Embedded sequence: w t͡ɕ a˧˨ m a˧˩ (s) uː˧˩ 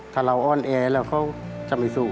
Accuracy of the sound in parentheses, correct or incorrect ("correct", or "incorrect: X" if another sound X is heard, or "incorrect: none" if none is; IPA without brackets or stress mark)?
correct